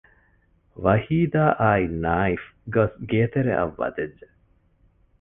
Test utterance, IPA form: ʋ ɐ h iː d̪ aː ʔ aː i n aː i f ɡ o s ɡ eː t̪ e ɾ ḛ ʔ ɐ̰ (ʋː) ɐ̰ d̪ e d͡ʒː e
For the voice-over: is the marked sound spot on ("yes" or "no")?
yes